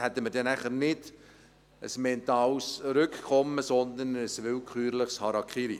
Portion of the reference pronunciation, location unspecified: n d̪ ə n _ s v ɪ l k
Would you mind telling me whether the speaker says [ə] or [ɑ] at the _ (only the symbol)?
ə